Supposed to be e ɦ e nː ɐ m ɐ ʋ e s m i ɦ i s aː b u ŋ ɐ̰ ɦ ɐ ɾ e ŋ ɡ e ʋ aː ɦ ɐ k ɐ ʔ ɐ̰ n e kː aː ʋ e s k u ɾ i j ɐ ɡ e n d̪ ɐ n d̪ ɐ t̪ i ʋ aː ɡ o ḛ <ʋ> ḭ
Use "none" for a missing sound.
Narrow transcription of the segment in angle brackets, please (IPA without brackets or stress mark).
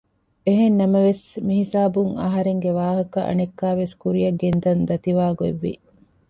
ʋː